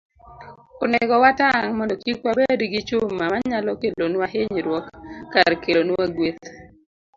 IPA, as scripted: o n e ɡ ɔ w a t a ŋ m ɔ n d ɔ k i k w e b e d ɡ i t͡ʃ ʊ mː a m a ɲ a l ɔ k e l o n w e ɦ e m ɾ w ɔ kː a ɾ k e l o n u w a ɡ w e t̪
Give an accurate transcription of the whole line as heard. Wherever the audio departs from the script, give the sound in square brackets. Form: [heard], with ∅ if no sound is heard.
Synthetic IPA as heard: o n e ɡ ɔ w a t a ŋ m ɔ n d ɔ k i k w [a] b e d ɡ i t͡ʃ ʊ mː a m a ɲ a l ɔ k e l o n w [a] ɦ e [ɲ] ɾ w ɔ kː a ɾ k e l o n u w a ɡ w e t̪

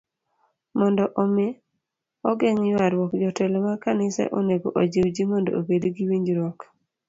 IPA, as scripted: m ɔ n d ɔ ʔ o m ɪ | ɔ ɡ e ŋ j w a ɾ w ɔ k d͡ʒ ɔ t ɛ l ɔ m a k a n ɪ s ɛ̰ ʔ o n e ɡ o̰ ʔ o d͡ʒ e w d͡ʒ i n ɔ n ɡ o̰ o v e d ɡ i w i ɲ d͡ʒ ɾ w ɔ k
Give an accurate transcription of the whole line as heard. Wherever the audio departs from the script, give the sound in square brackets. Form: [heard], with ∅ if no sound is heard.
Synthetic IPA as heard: m ɔ n d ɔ ʔ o m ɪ | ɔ ɡ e ŋ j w a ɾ w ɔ k d͡ʒ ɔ t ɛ l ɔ m a k a n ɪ s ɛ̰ ʔ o n e ɡ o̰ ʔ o d͡ʒ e w d͡ʒ i [m] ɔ n [d] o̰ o [b] e d ɡ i w i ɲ d͡ʒ ɾ w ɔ k

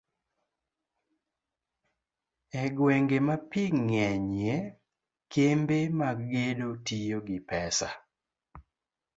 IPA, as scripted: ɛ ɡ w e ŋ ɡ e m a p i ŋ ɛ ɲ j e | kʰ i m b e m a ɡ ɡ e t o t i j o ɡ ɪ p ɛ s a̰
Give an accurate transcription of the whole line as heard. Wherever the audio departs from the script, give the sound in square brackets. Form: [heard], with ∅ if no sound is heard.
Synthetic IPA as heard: ɛ ɡ w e ŋ ɡ e m a p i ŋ ɛ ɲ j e | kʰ [e] m b e m a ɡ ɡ e [d] o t i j o ɡ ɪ p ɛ s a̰

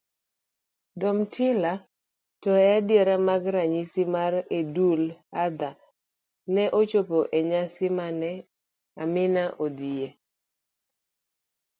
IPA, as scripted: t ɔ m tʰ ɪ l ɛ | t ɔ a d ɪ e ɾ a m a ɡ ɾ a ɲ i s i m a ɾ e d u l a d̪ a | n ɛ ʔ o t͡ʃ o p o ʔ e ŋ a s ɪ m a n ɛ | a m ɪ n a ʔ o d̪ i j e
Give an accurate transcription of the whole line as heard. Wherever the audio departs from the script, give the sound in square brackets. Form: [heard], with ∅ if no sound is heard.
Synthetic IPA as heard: [d] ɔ m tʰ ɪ l [a] | t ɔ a d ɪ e ɾ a m a ɡ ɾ a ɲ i s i m a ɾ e d u l a d̪ a | n ɛ ʔ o t͡ʃ o p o ʔ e [ɲ] a s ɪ m a n ɛ | a m ɪ n a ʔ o d̪ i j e

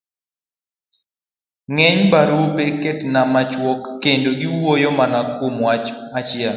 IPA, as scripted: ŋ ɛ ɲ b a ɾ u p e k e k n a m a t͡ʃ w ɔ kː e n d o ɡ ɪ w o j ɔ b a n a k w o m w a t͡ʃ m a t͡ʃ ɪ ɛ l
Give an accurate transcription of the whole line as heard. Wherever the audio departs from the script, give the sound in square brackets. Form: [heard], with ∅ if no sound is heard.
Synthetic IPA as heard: ŋ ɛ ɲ b a ɾ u p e k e [t] n a m a t͡ʃ w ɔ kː e n d o ɡ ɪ w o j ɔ [m] a n a k w o m w a t͡ʃ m a t͡ʃ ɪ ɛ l

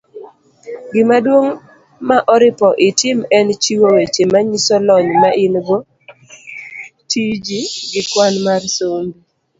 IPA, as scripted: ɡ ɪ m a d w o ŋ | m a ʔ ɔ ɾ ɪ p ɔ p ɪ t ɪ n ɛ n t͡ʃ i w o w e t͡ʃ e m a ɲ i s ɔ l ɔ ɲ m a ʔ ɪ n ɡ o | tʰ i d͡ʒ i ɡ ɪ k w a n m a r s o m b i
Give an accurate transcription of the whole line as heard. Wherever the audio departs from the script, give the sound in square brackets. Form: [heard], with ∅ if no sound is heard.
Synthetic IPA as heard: ɡ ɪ m a d w o ŋ | m a ʔ ɔ ɾ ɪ p ɔ [ʔ] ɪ t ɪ [m] ɛ n t͡ʃ i w o w e t͡ʃ e m a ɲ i s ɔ l ɔ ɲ m a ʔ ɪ n ɡ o | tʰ i d͡ʒ i ɡ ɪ k w a n m a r s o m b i

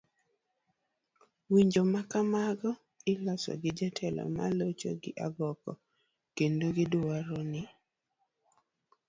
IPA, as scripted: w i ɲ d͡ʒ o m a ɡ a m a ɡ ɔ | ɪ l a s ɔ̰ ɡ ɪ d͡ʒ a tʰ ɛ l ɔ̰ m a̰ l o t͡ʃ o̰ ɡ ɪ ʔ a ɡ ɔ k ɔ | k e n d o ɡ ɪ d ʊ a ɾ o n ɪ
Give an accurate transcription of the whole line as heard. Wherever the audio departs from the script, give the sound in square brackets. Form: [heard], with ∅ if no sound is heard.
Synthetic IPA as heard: w i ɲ d͡ʒ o m a [k] a m a ɡ ɔ | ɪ l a s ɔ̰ ɡ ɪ d͡ʒ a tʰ ɛ l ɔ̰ m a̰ l o t͡ʃ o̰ ɡ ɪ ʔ a ɡ ɔ k ɔ | k e n d o ɡ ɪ d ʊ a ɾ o n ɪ

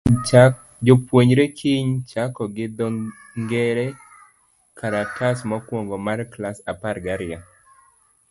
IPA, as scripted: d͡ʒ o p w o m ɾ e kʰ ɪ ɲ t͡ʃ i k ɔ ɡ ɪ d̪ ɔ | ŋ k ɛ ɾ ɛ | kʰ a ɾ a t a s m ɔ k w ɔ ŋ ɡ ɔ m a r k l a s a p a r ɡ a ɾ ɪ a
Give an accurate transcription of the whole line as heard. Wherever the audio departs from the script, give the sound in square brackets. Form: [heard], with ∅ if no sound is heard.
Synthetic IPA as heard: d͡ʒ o p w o [ɲ] ɾ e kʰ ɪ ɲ t͡ʃ [a] k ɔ ɡ ɪ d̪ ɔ | ŋ [ɡ] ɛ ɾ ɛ | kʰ a ɾ a t a s m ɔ k w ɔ ŋ ɡ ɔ m a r k l a s a p a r ɡ a ɾ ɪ a

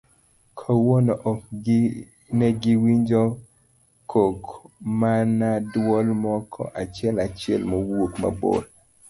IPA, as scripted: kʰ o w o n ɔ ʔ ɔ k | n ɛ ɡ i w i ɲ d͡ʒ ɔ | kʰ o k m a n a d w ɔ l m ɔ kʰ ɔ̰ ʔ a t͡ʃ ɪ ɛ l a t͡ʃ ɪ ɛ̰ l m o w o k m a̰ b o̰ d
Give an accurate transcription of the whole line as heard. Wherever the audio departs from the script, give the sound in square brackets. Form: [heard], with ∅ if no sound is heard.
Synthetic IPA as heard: kʰ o w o n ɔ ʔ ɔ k | n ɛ ɡ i w i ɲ d͡ʒ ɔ | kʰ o k m a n a d w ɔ l m ɔ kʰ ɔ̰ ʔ a t͡ʃ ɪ ɛ l a t͡ʃ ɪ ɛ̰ l m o w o k m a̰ b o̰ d

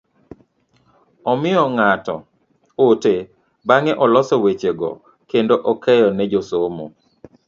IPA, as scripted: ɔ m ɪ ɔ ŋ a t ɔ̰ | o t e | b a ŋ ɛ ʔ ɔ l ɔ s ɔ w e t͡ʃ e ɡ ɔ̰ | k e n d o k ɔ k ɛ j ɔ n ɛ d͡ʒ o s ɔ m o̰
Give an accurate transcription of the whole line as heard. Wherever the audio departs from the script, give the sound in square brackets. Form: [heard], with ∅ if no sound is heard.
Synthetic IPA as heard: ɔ m ɪ ɔ ŋ a t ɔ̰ | o t e | b a ŋ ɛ ʔ ɔ l ɔ s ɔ w e t͡ʃ e ɡ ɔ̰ | k e n d o [ʔ] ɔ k ɛ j ɔ n ɛ d͡ʒ o s [o] m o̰

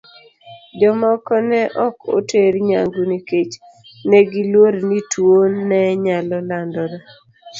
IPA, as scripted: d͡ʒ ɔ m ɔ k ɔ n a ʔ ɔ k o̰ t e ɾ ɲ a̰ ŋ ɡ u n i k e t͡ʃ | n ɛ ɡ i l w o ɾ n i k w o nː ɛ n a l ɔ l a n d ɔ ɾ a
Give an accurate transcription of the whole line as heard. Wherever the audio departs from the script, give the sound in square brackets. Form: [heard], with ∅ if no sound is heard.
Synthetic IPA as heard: d͡ʒ ɔ m ɔ k ɔ n [ɛ] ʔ ɔ k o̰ t e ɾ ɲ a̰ ŋ ɡ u n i k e t͡ʃ | n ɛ ɡ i l w o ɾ n i [t] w o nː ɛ [ɲ] a l ɔ l a n d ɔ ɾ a

